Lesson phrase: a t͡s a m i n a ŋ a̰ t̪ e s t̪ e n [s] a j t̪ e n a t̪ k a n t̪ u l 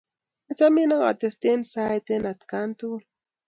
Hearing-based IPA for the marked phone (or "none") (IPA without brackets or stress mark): s